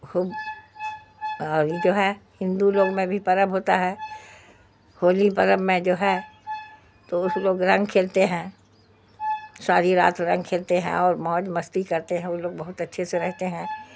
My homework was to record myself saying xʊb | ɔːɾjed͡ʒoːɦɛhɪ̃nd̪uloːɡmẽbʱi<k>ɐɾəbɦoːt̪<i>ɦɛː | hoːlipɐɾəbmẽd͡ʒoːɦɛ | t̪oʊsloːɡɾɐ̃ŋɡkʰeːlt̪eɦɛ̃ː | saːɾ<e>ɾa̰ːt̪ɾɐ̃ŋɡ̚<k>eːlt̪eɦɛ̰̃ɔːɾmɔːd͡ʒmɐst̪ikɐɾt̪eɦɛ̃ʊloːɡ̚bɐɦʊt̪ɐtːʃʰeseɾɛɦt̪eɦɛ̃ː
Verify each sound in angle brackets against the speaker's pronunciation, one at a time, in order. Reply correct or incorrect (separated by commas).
incorrect, incorrect, incorrect, incorrect